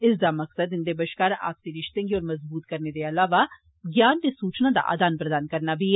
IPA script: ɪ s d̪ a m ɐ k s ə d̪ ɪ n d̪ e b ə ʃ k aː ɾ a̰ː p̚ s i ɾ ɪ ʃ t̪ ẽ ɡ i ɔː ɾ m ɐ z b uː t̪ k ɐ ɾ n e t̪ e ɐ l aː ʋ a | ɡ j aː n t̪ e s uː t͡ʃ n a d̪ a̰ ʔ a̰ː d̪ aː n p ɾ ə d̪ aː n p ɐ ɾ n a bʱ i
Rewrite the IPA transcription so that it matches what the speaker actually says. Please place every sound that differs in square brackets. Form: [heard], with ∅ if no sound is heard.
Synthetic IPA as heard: ɪ s d̪ a m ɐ k s ə d̪ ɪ n d̪ e b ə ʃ k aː ɾ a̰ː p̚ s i ɾ ɪ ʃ t̪ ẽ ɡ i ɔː ɾ m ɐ z b uː t̪ k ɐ ɾ n e [d̪] e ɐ l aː ʋ a | ɡ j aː n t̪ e s uː t͡ʃ n a d̪ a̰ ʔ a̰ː d̪ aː n p ɾ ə d̪ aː n [k] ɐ ɾ n a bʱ i